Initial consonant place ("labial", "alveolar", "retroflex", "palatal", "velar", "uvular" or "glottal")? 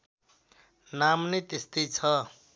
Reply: alveolar